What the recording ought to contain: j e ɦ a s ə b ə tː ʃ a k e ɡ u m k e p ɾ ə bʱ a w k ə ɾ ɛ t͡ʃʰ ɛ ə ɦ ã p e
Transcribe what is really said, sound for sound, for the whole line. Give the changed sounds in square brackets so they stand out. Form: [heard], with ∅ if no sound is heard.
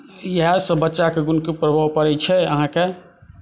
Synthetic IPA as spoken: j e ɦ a s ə b ə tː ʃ a k e ɡ u [n] k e p ɾ ə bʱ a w [p] ə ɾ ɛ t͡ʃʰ ɛ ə ɦ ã [k] e